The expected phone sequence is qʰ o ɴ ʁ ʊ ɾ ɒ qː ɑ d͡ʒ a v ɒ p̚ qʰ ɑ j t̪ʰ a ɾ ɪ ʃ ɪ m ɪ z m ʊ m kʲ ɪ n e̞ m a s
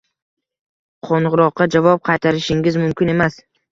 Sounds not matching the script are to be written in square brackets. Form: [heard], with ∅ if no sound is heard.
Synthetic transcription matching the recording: qʰ o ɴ ʁ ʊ ɾ ɒ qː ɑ d͡ʒ a v ɒ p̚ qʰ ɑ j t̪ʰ a ɾ ɪ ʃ ɪ [ŋ] ɪ z m ʊ m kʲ ɪ n e̞ m a s